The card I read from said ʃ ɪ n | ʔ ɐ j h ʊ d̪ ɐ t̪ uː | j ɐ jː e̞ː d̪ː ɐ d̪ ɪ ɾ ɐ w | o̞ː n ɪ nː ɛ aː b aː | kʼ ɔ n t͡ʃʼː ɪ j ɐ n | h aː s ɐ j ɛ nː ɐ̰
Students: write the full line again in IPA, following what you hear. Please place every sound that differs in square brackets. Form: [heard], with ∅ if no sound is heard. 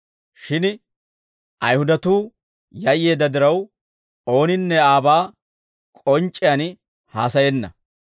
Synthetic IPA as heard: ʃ ɪ n | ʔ ɐ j h ʊ d̪ ɐ t̪ uː | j ɐ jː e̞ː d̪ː ɐ d̪ ɪ ɾ ɐ w | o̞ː n ɪ nː ɛ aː b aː | kʼ ɔ n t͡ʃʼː ɪ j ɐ n | h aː s ɐ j ɛ nː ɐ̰

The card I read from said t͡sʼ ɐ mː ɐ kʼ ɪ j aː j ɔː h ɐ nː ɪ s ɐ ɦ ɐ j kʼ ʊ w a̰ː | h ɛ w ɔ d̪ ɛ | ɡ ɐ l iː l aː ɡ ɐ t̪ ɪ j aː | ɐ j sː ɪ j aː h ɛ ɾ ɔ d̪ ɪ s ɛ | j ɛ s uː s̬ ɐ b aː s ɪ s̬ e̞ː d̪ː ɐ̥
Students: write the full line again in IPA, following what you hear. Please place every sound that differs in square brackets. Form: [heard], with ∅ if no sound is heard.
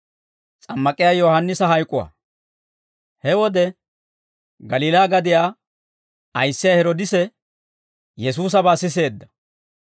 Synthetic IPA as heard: t͡sʼ ɐ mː ɐ kʼ ɪ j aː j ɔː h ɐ nː ɪ s ɐ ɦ ɐ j kʼ ʊ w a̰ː | h ɛ w ɔ d̪ ɛ | ɡ ɐ l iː l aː ɡ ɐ [d̪] ɪ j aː | ɐ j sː ɪ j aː h ɛ ɾ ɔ d̪ ɪ s ɛ | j ɛ s uː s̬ ɐ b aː s ɪ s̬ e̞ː d̪ː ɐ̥

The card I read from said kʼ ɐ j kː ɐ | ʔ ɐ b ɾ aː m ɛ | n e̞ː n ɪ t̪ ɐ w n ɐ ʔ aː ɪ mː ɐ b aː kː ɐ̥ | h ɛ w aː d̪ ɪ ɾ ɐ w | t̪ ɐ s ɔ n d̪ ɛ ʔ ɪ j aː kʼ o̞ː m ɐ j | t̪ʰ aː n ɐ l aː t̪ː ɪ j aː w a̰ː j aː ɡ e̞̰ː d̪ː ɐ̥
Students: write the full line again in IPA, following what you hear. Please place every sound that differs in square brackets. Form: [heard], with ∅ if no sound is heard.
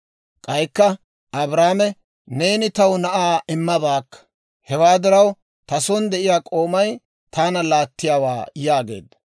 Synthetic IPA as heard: kʼ ɐ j kː ɐ | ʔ ɐ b ɾ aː m ɛ | n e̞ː n ɪ t̪ ɐ w n ɐ ʔ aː ɪ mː ɐ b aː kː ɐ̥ | h ɛ w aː d̪ ɪ ɾ ɐ w | t̪ ɐ s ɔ n d̪ ɛ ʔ ɪ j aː kʼ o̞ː m ɐ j | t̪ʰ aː n ɐ l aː t̪ː ɪ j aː w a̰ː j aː ɡ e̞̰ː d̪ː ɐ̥

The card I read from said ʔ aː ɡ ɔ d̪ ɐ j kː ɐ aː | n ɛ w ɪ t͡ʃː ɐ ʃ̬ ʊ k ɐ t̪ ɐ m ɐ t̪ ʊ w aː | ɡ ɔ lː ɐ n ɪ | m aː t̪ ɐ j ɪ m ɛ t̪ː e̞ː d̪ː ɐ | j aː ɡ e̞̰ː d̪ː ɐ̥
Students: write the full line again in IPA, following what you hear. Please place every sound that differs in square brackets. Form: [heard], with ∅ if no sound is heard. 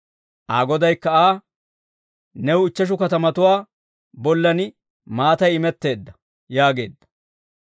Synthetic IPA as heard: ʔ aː ɡ ɔ d̪ ɐ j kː ɐ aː | n ɛ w ɪ t͡ʃː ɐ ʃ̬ ʊ k ɐ t̪ ɐ m ɐ t̪ ʊ w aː | [b] ɔ lː ɐ n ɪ | m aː t̪ ɐ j ɪ m ɛ t̪ː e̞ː d̪ː ɐ | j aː ɡ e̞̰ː d̪ː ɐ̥

